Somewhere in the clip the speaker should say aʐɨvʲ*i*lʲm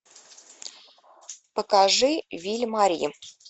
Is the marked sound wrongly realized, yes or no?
no